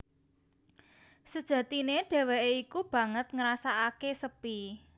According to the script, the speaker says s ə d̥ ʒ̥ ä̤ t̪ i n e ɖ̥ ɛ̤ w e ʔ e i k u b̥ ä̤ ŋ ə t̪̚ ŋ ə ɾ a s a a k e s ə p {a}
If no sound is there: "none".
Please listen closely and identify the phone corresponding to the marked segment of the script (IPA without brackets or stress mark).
i